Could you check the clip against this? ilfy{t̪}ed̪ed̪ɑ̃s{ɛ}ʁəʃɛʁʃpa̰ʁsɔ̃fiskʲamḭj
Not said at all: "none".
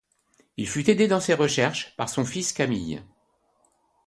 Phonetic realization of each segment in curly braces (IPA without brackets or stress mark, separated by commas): t̪, e